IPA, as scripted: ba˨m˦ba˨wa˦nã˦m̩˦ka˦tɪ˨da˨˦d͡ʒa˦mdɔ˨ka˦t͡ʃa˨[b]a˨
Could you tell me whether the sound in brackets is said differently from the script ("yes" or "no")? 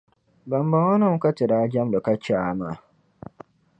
yes